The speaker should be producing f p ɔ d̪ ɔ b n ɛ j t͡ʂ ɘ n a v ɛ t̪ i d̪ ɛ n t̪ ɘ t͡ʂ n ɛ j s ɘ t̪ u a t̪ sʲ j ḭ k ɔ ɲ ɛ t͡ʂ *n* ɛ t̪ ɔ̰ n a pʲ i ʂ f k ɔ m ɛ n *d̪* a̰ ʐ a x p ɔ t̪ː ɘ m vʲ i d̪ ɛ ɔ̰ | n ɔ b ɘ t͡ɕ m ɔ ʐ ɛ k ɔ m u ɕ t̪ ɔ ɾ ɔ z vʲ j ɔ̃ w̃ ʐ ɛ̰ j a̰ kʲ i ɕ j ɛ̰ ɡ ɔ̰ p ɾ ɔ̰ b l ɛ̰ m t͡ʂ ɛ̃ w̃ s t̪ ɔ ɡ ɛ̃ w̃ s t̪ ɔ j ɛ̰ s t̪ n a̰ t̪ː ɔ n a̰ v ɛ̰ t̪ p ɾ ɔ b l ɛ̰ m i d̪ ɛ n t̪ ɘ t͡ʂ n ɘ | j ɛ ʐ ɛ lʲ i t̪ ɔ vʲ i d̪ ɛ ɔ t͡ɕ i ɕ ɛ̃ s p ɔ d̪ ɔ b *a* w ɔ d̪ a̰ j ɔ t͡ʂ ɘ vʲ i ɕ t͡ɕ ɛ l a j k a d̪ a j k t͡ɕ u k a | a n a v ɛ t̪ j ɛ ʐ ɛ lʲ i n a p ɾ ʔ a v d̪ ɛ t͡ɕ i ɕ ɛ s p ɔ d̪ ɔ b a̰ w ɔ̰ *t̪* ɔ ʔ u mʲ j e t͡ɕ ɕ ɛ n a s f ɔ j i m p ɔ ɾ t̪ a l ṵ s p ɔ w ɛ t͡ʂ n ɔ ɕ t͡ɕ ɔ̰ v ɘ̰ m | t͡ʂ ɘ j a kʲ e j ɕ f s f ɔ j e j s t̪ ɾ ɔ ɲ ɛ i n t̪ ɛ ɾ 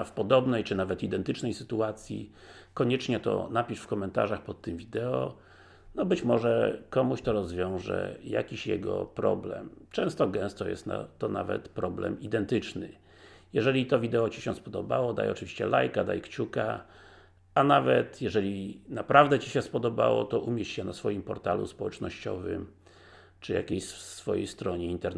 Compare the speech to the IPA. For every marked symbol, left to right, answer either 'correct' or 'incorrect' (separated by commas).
incorrect, incorrect, correct, correct